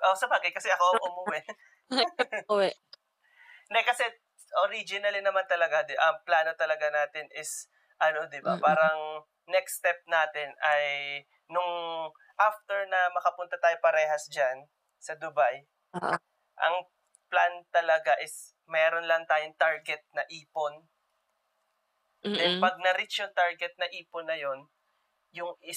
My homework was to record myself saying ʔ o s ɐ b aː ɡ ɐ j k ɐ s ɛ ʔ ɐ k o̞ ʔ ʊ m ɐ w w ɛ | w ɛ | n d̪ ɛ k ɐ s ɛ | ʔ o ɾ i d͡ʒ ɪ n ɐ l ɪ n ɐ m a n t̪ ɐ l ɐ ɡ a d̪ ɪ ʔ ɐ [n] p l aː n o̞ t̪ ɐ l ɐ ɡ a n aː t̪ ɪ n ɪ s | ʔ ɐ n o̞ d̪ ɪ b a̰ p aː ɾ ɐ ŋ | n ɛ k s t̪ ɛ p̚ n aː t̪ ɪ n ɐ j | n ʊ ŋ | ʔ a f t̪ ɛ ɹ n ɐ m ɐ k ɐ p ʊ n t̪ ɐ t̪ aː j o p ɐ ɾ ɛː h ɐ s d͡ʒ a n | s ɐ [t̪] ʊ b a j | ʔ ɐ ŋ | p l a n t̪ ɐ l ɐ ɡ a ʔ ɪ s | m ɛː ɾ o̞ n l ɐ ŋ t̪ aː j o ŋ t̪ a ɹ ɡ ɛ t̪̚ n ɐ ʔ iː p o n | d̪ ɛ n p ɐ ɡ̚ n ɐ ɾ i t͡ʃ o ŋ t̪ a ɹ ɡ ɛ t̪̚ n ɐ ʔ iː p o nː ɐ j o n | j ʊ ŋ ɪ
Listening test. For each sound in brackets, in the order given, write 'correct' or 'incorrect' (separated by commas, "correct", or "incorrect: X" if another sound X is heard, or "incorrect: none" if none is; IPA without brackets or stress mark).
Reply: incorrect: ŋ, incorrect: d̪